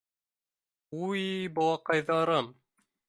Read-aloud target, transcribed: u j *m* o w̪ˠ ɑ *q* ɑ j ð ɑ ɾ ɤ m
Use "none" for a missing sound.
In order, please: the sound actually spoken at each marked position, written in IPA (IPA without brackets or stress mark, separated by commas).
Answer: b, q